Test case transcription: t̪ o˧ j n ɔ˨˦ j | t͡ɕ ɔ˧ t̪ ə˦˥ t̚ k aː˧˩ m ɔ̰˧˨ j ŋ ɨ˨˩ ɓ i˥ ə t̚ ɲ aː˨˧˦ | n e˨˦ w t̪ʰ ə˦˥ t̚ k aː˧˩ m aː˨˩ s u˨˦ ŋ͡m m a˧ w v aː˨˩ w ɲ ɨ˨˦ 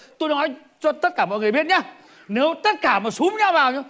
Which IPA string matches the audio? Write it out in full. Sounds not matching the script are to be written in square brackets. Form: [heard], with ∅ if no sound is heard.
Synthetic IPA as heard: t̪ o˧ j n ɔ˨˦ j | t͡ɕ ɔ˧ t̪ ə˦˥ t̚ k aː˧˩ m ɔ̰˧˨ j ŋ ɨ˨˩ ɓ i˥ ə t̚ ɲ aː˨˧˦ | n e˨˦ w [t̪] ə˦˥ t̚ k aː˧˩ m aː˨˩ s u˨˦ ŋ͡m [ɲ] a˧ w v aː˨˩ w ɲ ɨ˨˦